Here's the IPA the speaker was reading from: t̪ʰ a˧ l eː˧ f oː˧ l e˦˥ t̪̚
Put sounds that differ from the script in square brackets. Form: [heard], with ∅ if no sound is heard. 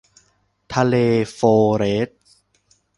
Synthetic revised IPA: t̪ʰ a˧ l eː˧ f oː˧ [ɾ] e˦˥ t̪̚